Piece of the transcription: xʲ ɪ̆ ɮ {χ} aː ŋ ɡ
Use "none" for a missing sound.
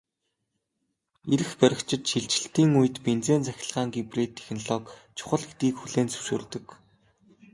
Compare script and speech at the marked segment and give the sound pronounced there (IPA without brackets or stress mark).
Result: ʁ